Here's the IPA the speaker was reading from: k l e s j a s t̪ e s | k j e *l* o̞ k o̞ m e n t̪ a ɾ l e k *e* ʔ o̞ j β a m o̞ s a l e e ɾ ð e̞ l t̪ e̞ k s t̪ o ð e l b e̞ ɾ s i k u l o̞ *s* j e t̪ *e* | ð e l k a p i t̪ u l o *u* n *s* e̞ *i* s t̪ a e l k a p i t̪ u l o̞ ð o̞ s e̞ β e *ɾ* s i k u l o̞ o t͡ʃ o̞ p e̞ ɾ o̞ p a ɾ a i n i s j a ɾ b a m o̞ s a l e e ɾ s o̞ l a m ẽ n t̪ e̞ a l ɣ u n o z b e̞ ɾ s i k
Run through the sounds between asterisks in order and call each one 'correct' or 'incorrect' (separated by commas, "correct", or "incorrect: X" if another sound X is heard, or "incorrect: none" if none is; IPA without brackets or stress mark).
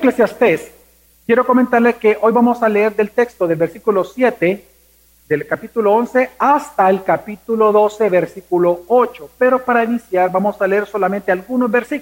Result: incorrect: ɾ, correct, correct, correct, incorrect: o, correct, incorrect: a, correct